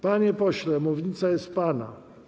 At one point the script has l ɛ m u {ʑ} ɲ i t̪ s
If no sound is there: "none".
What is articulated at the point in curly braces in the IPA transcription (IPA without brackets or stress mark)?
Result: v